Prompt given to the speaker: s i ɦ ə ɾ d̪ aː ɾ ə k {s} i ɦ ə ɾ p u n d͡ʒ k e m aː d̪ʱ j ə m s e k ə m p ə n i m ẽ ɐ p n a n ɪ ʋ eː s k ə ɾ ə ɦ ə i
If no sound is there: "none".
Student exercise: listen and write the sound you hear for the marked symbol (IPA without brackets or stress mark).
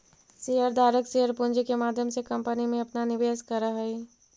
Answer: s